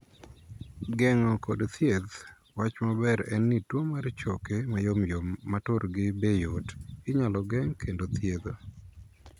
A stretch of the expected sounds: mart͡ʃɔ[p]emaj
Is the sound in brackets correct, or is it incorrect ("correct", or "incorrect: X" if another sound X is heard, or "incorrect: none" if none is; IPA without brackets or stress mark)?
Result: incorrect: k